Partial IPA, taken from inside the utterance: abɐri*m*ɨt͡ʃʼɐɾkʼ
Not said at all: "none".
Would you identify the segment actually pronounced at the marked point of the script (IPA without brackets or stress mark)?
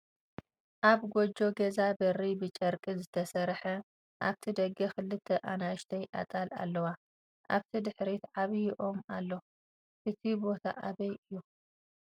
b